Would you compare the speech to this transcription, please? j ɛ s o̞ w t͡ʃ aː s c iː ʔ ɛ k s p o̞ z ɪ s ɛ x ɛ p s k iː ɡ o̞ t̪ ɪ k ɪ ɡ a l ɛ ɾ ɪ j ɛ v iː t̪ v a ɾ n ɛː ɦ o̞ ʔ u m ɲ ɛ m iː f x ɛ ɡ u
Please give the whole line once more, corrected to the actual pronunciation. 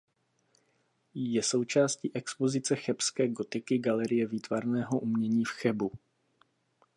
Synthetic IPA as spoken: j ɛ s o̞ w t͡ʃ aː s c iː ʔ ɛ k s p o̞ z ɪ t͡s ɛ x ɛ p s k ɛː ɡ o̞ t̪ ɪ k ɪ ɡ a l ɛ ɾ ɪ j ɛ v iː t̪ v a ɾ n ɛː ɦ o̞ ʔ u m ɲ ɛ ɲ iː f x ɛ b u